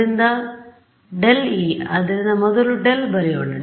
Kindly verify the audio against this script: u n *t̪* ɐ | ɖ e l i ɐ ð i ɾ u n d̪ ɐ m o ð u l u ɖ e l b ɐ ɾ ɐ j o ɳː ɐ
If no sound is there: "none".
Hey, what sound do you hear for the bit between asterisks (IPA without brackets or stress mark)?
d̪